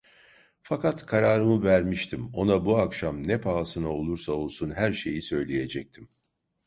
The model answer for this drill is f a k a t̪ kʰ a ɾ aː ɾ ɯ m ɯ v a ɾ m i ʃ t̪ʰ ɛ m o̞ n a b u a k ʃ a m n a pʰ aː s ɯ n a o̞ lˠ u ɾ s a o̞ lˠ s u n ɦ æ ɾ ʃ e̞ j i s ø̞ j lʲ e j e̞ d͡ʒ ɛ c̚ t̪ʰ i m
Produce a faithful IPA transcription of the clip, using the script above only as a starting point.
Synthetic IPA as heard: f a k a t̪ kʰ a ɾ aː ɾ ɯ m ɯ v æ ɾ m i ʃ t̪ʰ i m o̞ n a b u a k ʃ a m n ɛ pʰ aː s ɯ n a o̞ lˠ u ɾ s a o̞ lˠ s u n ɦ æ ɾ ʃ e̞ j i s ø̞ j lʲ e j e̞ d͡ʒ ɛ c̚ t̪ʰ i m